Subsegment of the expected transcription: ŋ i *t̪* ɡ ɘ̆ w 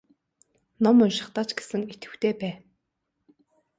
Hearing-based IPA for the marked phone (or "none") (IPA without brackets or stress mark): t̪